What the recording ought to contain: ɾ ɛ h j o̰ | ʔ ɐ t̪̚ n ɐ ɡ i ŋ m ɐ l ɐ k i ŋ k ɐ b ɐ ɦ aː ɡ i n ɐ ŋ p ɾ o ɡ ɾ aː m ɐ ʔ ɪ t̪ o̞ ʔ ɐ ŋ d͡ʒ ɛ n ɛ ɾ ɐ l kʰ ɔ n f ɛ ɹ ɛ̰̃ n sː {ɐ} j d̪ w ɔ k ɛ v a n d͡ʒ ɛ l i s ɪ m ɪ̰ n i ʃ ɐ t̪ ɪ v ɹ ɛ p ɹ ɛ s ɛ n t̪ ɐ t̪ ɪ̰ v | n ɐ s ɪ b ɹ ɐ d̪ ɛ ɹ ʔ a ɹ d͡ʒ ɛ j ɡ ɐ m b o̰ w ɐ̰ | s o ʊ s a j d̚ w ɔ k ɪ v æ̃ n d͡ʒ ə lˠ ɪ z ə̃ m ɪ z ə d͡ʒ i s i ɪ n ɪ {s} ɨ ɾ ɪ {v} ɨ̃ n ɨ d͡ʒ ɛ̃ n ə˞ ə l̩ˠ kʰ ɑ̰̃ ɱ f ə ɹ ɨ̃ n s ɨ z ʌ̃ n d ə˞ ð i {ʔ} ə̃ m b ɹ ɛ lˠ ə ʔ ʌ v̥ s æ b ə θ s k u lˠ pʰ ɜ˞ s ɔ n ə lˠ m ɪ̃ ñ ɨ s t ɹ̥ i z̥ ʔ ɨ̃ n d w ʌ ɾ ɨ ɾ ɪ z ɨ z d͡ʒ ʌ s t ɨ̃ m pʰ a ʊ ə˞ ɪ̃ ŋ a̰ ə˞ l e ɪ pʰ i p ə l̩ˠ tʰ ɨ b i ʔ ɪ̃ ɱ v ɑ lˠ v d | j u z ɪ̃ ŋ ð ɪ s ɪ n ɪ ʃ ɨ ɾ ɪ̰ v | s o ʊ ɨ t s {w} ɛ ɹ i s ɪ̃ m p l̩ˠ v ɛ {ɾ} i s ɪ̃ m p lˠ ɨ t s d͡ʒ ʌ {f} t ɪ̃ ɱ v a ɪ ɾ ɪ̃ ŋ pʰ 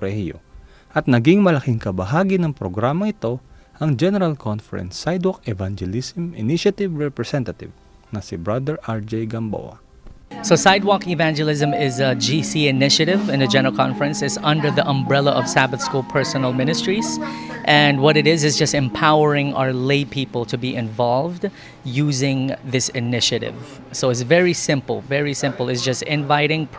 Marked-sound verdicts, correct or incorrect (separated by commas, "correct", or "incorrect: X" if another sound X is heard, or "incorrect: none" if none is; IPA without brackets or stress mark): incorrect: a, incorrect: ʃ, correct, correct, incorrect: v, incorrect: ɹ, incorrect: s